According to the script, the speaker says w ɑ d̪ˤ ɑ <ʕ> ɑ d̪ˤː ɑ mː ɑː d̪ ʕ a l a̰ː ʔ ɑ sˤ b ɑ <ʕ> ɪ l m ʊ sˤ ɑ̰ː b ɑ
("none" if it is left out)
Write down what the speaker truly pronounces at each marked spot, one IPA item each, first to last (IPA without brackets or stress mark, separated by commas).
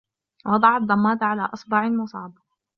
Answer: ʕ, ʕ